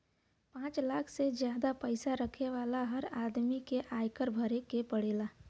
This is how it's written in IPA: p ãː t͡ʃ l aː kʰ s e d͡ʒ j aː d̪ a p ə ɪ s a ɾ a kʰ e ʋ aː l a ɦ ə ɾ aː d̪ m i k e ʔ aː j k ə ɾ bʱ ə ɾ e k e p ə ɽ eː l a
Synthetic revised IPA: p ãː t͡ʃ l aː kʰ s e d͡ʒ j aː d̪ a p ə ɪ s a ɾ ə kʰ e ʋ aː l a ɦ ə ɾ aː d̪ m i k e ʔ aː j k ə ɾ bʱ ə ɾ e k e p ə ɽ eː l a